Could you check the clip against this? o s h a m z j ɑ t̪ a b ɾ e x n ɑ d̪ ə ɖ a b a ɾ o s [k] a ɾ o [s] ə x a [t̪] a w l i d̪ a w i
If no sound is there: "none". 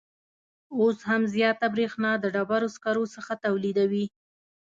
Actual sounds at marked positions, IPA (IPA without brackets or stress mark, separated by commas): k, s, t̪